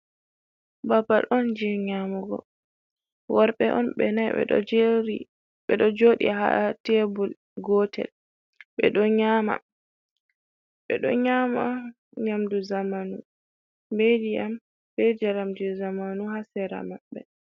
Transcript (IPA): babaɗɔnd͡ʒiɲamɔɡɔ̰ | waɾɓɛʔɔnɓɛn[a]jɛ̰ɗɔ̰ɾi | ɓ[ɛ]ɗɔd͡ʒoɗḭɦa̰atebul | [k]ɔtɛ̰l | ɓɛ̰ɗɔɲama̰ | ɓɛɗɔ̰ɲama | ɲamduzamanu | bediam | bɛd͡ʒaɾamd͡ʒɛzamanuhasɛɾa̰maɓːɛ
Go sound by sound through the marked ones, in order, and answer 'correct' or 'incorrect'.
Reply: correct, correct, incorrect

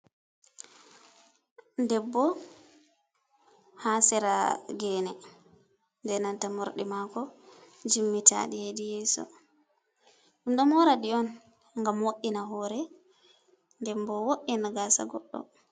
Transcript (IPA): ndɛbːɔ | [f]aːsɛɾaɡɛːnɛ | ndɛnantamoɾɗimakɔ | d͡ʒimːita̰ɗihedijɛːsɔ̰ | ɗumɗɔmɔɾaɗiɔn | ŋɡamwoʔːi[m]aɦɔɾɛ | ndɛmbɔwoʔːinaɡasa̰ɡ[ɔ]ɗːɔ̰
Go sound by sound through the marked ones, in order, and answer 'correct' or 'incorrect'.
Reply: incorrect, incorrect, correct

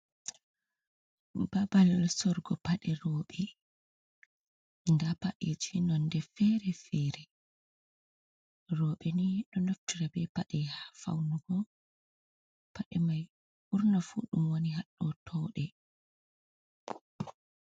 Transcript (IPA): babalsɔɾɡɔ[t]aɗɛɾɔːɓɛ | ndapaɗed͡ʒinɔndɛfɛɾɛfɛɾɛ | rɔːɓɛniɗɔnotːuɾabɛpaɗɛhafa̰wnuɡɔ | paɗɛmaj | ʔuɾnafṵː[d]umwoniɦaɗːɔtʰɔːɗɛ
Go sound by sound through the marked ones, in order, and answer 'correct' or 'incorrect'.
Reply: incorrect, incorrect

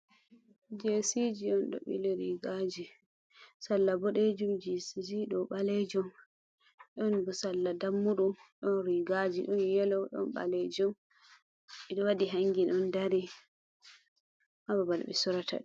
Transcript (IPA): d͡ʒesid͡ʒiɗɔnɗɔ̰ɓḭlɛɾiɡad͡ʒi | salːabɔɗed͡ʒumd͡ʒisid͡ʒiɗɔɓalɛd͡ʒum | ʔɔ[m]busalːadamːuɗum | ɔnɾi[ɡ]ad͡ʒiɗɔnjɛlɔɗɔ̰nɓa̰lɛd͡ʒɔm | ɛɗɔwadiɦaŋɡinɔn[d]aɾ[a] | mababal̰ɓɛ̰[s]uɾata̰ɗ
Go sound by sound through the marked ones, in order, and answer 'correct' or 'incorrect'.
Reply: incorrect, correct, correct, incorrect, correct

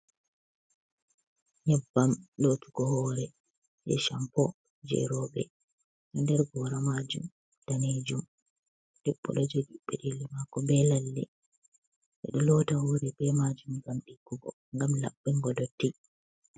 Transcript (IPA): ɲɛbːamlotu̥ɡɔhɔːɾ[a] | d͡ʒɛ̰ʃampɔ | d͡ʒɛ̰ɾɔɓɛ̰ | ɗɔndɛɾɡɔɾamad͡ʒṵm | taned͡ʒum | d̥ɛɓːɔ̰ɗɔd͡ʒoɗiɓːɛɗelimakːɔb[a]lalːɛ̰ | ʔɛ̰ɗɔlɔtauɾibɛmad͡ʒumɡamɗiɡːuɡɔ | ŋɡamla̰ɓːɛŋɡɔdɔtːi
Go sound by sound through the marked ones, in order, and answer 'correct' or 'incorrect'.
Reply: incorrect, incorrect

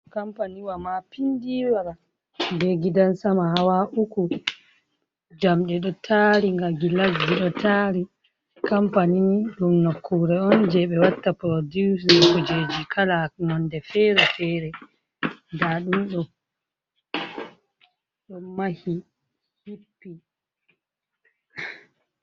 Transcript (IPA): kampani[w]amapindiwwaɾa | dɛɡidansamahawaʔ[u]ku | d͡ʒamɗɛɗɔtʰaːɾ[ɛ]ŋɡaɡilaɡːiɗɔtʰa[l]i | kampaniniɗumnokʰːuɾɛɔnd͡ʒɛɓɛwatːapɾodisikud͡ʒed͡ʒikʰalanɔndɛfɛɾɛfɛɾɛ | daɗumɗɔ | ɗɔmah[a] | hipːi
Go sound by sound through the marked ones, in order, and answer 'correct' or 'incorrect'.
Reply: correct, correct, incorrect, incorrect, incorrect

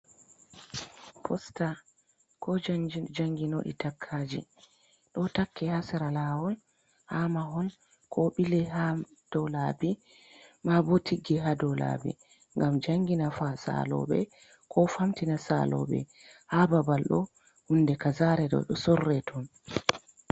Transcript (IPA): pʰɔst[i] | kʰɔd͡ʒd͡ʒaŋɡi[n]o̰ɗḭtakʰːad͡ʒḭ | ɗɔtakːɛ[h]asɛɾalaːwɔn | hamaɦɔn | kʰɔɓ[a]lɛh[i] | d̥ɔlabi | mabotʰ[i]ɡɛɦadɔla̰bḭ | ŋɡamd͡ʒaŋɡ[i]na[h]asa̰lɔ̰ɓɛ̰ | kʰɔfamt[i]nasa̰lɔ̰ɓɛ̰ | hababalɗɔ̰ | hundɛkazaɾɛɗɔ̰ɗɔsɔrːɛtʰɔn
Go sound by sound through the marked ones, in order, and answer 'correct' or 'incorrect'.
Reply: incorrect, correct, correct, incorrect, incorrect, correct, correct, incorrect, correct

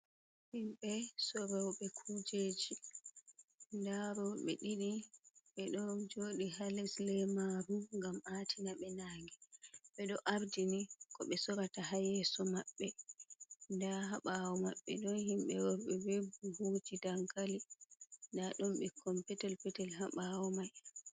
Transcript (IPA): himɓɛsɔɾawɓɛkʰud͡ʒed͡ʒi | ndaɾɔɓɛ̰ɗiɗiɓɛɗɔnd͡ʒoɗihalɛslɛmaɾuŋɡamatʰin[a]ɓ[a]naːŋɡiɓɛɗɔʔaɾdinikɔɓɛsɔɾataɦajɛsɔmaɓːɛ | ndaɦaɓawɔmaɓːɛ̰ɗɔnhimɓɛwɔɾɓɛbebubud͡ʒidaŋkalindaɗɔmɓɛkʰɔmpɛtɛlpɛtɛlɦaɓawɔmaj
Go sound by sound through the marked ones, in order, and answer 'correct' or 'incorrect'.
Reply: correct, incorrect

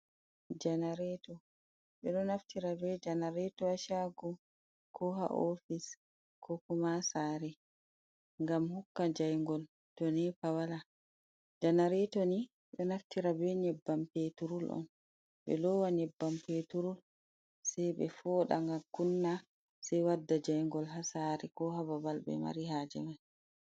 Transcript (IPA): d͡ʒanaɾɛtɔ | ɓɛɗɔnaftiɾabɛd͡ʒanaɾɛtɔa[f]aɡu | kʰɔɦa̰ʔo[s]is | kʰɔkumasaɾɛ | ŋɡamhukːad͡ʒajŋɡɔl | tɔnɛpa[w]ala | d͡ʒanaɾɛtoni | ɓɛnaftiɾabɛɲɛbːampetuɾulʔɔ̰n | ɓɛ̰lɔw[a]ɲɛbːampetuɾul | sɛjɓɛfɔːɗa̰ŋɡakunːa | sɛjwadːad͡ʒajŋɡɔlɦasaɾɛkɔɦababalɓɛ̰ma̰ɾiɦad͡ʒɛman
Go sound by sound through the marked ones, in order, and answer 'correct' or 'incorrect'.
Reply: incorrect, incorrect, correct, correct

